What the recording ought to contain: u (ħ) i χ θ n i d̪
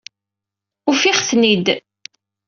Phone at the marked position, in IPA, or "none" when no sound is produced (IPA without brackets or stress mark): f